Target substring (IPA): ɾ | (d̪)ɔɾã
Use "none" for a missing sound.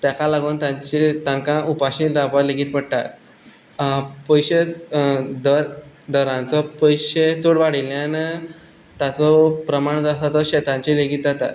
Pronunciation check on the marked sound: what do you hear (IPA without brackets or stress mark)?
d̪